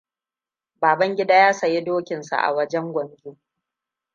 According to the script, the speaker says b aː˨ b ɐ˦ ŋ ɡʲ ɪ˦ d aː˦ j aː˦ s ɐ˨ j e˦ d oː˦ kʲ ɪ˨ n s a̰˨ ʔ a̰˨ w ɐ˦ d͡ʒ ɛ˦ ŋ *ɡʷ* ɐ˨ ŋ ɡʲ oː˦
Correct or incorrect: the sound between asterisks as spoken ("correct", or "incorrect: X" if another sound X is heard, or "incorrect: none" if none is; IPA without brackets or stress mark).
correct